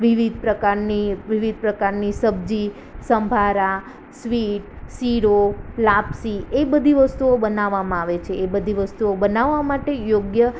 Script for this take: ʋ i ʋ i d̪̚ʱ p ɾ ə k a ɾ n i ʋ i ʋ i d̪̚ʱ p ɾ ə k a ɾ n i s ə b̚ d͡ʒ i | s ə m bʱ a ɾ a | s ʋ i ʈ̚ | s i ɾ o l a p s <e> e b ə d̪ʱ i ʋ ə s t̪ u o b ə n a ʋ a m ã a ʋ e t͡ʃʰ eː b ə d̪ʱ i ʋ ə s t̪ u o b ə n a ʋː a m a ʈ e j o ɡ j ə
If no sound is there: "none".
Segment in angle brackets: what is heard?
i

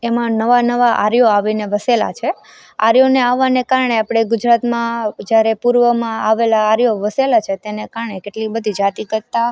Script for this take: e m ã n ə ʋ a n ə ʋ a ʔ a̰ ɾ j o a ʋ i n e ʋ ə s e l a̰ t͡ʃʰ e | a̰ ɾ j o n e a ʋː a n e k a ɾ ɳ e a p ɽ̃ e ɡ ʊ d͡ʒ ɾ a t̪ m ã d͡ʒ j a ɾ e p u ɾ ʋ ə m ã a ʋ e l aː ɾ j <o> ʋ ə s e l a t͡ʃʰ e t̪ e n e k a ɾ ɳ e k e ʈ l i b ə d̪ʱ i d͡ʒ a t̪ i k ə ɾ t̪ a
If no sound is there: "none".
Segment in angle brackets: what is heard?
o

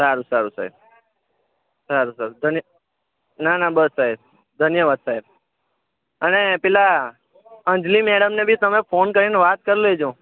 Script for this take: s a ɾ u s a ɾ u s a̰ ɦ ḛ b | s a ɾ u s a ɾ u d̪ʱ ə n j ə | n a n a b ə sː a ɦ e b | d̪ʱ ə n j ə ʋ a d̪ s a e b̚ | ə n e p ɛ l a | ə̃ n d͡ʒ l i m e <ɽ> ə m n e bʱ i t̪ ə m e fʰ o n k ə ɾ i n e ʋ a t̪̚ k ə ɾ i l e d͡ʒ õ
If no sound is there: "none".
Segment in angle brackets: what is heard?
ɽ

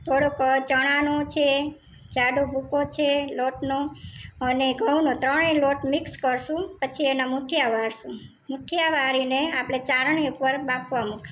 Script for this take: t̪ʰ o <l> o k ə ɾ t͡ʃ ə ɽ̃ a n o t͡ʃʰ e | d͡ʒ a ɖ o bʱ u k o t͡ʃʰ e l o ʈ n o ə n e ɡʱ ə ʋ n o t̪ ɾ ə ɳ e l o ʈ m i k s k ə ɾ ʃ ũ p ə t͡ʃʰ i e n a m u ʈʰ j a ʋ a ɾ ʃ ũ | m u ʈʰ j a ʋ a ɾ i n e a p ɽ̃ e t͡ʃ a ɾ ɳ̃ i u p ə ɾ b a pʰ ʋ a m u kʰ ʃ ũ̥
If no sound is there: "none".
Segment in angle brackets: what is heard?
ɽ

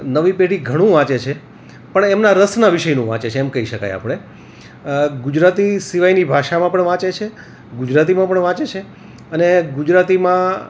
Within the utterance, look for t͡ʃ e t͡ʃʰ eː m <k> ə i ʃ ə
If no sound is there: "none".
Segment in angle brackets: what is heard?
k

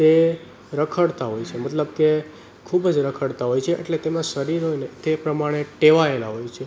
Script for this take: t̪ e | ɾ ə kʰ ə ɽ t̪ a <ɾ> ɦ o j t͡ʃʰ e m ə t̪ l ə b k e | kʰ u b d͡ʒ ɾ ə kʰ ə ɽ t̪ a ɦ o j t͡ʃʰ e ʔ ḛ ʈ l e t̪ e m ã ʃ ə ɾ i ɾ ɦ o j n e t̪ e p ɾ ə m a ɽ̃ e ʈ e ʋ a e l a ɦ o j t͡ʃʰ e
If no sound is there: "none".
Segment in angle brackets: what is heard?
none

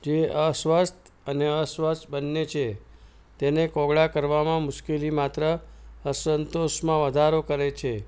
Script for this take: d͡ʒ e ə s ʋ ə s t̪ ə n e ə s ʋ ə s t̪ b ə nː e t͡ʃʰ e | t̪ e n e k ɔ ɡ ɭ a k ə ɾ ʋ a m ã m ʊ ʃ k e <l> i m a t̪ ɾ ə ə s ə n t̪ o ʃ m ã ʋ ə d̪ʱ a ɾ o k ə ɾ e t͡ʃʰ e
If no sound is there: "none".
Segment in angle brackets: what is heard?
l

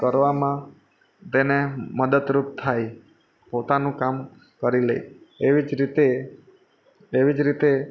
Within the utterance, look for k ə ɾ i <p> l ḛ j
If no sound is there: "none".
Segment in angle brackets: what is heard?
none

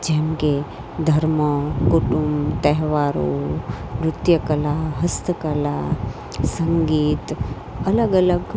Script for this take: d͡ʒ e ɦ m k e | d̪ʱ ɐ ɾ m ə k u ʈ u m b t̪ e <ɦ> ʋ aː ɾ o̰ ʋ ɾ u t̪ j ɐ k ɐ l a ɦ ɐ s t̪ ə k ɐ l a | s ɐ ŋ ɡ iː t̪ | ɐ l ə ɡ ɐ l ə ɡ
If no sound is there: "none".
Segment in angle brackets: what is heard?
ɦ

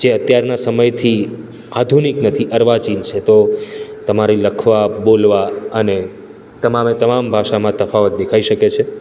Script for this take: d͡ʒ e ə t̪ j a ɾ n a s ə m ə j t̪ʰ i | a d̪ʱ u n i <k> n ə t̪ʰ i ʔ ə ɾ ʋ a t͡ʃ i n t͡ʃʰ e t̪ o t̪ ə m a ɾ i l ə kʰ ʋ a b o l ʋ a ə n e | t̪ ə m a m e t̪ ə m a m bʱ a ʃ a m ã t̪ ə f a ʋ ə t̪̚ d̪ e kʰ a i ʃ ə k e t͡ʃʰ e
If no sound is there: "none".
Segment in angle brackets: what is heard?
k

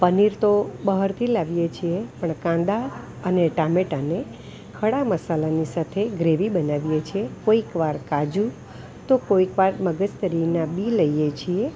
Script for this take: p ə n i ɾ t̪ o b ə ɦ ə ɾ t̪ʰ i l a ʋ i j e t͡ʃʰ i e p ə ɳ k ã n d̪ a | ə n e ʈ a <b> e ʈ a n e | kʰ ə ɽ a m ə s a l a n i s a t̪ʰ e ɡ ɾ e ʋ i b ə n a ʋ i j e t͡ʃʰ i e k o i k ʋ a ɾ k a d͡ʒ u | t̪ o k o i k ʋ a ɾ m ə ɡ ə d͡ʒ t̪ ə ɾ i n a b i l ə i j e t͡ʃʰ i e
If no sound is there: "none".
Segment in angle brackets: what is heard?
m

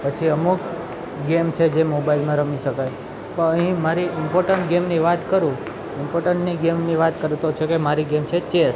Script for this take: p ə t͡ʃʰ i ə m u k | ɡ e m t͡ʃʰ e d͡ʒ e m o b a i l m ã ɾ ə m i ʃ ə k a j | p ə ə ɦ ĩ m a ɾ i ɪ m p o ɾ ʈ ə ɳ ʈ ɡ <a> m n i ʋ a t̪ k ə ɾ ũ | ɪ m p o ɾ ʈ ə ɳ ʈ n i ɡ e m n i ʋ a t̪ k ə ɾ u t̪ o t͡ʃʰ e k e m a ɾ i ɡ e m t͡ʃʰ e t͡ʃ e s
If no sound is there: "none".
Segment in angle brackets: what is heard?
e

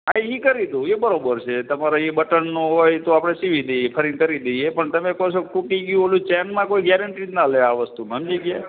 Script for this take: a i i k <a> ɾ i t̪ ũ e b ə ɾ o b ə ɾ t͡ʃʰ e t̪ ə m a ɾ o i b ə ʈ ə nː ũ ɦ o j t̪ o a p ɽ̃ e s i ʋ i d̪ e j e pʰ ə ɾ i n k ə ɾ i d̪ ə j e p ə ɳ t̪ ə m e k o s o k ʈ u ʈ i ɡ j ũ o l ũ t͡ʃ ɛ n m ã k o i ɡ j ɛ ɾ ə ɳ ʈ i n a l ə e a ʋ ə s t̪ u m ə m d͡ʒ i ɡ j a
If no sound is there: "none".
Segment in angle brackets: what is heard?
ə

